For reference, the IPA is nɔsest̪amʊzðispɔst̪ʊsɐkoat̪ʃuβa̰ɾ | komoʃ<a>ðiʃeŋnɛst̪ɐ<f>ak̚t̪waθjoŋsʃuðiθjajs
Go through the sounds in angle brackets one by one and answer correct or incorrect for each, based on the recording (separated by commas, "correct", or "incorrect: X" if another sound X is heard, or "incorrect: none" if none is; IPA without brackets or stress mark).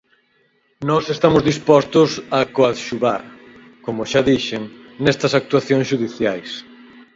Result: correct, incorrect: s